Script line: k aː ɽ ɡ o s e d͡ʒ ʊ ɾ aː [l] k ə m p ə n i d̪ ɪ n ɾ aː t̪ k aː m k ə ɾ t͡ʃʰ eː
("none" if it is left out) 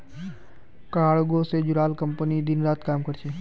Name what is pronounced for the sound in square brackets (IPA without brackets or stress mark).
l